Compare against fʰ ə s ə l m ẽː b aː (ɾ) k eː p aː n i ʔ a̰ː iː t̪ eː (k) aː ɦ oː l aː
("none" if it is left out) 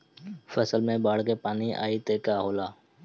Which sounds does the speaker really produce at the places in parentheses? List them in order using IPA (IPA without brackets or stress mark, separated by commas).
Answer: ɽ, k